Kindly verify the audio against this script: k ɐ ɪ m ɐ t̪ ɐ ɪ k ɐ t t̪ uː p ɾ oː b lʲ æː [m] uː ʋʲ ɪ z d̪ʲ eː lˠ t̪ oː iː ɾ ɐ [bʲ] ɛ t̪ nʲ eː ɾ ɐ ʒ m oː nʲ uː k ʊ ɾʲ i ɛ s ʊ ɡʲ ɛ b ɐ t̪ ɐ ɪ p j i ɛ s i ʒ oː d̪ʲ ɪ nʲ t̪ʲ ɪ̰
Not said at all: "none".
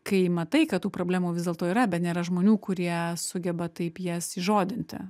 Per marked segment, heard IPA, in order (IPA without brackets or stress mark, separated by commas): m, bʲ